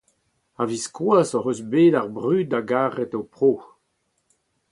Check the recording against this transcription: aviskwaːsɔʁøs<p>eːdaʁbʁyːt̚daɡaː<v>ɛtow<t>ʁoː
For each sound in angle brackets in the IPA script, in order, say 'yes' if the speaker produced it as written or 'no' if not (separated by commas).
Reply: no, no, no